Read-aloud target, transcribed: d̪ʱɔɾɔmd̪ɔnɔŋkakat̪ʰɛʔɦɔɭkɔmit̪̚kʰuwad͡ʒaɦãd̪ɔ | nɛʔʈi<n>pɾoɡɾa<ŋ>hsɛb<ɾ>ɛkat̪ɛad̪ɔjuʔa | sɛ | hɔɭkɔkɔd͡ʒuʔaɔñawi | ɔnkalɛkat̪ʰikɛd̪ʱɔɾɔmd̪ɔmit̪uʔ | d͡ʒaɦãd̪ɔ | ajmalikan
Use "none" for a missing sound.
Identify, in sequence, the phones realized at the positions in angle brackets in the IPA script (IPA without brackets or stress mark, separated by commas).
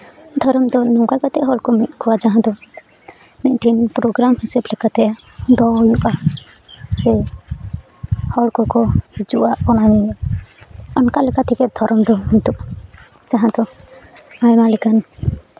n, m, l